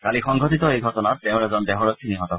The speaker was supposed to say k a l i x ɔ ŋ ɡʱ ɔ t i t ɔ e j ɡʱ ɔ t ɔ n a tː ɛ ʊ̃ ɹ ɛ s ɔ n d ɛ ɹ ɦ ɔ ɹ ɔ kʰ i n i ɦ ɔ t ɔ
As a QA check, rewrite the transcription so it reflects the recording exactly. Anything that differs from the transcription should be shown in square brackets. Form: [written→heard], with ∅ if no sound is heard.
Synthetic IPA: k a l i x ɔ ŋ ɡʱ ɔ t i t ɔ e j ɡʱ ɔ t ɔ n a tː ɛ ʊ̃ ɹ ɛ [s→z] ɔ n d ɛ [ɹ→∅] ɦ ɔ ɹ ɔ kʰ i n i ɦ ɔ t ɔ

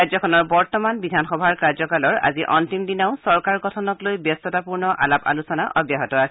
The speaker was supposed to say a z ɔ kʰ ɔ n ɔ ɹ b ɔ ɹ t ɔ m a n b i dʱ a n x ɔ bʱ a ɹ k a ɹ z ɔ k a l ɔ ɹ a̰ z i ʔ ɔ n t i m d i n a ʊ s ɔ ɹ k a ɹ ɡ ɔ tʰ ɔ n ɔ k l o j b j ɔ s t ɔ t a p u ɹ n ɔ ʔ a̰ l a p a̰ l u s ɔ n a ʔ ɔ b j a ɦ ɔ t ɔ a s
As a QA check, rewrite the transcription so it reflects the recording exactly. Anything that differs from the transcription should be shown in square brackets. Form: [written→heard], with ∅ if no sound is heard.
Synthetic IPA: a z ɔ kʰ ɔ n ɔ ɹ b ɔ ɹ t ɔ m a n b i dʱ a n x ɔ bʱ a ɹ k a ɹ z ɔ k a l ɔ ɹ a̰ z i ʔ ɔ n t i m d i n a ʊ s ɔ ɹ k a ɹ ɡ ɔ tʰ ɔ n ɔ k l o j b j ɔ s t ɔ t a p u ɹ n ɔ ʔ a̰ l a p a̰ l u s ɔ n a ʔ ɔ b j a ɦ ɔ t ɔ a s

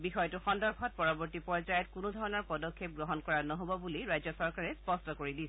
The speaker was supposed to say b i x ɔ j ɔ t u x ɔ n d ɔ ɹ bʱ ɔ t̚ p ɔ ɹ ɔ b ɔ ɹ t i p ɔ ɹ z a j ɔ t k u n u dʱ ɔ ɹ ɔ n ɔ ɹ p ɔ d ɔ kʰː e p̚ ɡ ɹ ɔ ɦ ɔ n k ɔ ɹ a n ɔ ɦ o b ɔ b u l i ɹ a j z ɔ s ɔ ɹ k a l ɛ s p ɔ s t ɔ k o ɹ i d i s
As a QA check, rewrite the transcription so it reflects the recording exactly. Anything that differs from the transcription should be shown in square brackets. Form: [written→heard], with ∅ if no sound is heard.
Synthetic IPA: b i x ɔ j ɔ t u x ɔ n d ɔ ɹ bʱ ɔ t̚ p ɔ ɹ ɔ b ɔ ɹ t i p ɔ ɹ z a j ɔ t k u n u dʱ ɔ ɹ ɔ n ɔ ɹ p ɔ d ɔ kʰː e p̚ ɡ ɹ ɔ ɦ ɔ n k ɔ ɹ a n ɔ ɦ o b ɔ b u l i ɹ a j z ɔ s ɔ ɹ k a [l→ɹ] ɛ s p ɔ s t ɔ k o ɹ i d i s

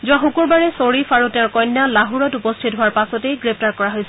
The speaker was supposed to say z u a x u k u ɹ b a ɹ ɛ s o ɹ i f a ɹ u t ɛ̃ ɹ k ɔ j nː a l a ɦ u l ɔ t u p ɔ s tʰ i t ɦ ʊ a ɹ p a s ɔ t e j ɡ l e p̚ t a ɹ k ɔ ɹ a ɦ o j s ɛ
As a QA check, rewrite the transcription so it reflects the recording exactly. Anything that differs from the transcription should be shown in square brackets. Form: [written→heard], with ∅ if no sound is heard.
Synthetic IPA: z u a x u k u ɹ b a ɹ ɛ s o ɹ i f a ɹ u t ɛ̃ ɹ k ɔ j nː a l a ɦ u [l→ɹ] ɔ t u p ɔ s tʰ i t ɦ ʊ a ɹ p a s ɔ t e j ɡ [l→ɹ] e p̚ t a ɹ k ɔ ɹ a ɦ o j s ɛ

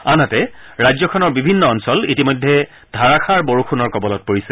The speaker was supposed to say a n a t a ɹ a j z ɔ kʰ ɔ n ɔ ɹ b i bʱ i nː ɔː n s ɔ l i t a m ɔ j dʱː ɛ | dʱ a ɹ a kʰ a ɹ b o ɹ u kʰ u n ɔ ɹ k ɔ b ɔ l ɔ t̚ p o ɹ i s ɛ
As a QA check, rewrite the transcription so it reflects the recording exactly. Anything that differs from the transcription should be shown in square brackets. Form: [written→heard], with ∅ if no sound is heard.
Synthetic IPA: a n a t [a→ɛ] ɹ a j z ɔ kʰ ɔ n ɔ ɹ b i bʱ i nː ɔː n s ɔ l i t [a→i] m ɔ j dʱː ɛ | dʱ a ɹ a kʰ a ɹ b o ɹ u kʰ u n ɔ ɹ k ɔ b ɔ l ɔ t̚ p o ɹ i s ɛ

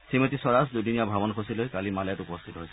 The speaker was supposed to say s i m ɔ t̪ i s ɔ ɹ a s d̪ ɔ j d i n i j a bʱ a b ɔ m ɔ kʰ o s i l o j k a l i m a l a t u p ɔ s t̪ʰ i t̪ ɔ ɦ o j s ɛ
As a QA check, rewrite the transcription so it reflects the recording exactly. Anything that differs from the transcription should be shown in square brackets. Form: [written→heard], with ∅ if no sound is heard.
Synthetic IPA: s i m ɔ t̪ i s ɔ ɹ a s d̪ [ɔ→u] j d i n i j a bʱ a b ɔ [m→n] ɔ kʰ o s i l o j k a l i m a l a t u p ɔ s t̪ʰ i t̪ ɔ ɦ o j s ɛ

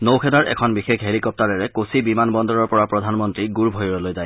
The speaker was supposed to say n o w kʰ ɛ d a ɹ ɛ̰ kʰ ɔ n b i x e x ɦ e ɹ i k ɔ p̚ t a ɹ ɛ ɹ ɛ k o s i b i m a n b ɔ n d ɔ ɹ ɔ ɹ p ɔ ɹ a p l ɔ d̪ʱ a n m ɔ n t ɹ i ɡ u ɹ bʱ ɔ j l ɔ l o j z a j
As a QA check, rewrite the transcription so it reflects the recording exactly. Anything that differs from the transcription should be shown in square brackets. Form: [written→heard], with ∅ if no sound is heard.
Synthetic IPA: n o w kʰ ɛ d a ɹ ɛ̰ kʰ ɔ n b i x e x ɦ e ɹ i k ɔ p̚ t a ɹ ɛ ɹ ɛ k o s i b i m a n b ɔ n d ɔ ɹ ɔ ɹ p ɔ ɹ a p [l→ɹ] ɔ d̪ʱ a n m ɔ n t ɹ i ɡ u ɹ bʱ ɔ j [l→ɹ] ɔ l o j z a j

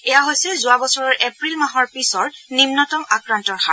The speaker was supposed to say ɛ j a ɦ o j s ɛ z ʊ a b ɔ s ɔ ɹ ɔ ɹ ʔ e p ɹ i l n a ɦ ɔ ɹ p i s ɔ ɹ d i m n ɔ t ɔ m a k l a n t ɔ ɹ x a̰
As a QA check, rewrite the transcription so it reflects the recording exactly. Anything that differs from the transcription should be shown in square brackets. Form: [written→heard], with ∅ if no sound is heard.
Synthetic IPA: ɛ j a ɦ o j s ɛ z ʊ a b ɔ s ɔ ɹ ɔ ɹ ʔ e p ɹ i l [n→m] a ɦ ɔ ɹ p i s ɔ ɹ [d→n] i m n ɔ t ɔ m a k [l→ɹ] a n t ɔ ɹ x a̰

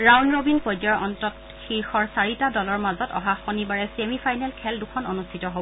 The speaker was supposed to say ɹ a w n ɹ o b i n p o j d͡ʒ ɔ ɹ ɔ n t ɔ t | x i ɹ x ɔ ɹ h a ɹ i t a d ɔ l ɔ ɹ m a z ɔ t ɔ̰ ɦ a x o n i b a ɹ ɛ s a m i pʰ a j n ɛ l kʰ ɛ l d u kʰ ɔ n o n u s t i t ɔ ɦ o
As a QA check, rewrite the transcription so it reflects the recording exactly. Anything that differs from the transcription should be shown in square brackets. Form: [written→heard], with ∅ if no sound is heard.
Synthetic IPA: ɹ a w n ɹ o b i n p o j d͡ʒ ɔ ɹ ɔ n t ɔ t | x i ɹ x ɔ ɹ [h→s] a ɹ i t a d ɔ l ɔ ɹ m a z ɔ t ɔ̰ ɦ a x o n i b a ɹ ɛ s [a→e] m i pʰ a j n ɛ l kʰ ɛ l d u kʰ ɔ n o n u s [t→tʰ] i t ɔ ɦ o

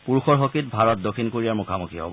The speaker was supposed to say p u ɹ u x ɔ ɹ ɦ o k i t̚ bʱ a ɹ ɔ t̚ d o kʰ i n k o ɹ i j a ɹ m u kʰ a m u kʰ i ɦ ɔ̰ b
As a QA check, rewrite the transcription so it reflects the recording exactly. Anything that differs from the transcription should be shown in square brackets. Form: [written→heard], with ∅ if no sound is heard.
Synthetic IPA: p u ɹ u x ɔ ɹ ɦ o k i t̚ bʱ a ɹ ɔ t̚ d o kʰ i n k o ɹ i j a ɹ m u kʰ a m u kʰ i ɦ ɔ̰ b

